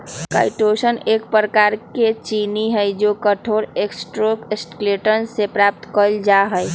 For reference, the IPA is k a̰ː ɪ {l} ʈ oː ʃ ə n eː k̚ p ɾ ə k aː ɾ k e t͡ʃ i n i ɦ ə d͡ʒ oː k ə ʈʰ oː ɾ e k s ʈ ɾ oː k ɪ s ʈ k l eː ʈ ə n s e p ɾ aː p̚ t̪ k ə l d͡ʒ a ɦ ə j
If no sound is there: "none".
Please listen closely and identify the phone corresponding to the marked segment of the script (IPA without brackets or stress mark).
none